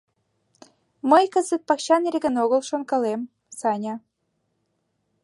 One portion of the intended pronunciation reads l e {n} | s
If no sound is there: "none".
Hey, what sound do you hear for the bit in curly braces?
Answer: m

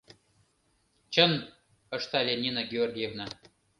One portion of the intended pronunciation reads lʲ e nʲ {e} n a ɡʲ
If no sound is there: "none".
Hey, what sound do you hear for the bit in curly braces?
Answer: i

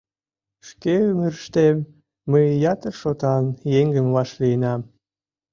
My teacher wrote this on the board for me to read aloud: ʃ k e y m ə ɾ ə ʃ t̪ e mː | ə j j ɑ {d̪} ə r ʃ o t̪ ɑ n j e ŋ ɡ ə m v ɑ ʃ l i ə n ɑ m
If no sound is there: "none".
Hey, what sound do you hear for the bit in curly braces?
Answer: t̪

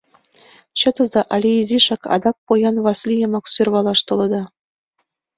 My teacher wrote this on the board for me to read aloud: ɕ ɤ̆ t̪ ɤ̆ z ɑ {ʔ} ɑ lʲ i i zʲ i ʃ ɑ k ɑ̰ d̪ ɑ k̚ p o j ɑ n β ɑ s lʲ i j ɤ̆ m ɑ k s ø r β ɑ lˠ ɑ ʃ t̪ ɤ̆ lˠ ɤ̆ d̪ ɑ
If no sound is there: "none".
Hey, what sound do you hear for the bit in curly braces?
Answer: ʔ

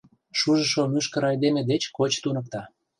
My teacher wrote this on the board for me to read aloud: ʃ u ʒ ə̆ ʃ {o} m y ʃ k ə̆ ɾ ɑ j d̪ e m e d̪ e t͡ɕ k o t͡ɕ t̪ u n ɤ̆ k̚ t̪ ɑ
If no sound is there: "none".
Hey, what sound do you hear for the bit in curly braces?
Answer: o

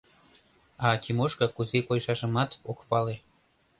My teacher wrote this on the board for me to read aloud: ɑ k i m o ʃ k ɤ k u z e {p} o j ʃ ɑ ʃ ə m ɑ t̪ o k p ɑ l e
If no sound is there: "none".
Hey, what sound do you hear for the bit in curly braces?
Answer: k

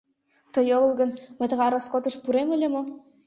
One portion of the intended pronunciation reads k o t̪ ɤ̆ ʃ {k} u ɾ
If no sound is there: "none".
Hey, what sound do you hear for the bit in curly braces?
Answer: p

